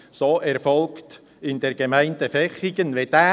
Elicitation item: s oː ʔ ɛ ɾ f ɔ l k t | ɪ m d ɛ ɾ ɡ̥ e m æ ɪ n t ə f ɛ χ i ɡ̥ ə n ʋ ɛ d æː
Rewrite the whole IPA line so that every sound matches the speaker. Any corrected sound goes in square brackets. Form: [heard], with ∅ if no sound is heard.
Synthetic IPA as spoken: s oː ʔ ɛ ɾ f ɔ l k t | ɪ [n] d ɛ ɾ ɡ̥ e m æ ɪ n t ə f ɛ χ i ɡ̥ ə n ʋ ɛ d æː